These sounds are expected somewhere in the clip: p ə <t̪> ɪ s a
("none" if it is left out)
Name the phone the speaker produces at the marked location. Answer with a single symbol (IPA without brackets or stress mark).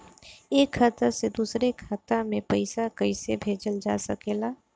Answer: none